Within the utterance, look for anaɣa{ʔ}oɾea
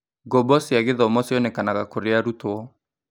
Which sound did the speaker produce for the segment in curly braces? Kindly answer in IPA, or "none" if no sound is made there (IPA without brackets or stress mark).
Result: k